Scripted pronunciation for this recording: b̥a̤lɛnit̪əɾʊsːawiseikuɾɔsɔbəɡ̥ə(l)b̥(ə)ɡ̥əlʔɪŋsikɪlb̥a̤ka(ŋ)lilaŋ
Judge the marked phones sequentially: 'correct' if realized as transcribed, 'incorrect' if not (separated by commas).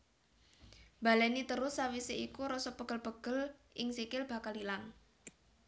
correct, correct, incorrect